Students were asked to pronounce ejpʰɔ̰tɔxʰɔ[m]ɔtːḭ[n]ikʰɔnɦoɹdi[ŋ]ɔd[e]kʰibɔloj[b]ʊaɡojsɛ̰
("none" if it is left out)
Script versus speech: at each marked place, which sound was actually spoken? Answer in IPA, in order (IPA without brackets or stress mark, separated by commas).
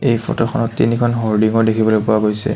n, n, ŋ, e, p